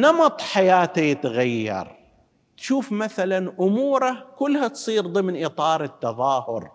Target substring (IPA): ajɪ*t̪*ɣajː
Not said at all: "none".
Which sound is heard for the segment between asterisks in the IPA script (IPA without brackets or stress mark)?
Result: t̪